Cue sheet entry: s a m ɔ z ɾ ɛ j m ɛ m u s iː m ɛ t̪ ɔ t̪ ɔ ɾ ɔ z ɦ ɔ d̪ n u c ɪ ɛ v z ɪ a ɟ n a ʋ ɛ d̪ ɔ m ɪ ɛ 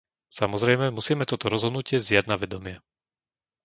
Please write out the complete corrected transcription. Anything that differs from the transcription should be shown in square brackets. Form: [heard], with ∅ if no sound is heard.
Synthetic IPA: s a m ɔ z ɾ ɛ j m ɛ m u s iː m ɛ t̪ ɔ t̪ ɔ ɾ ɔ z ɦ ɔ d̪ n u c ɪ ɛ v z ɪ a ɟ n a ʋ ɛ d̪ ɔ m ɪ ɛ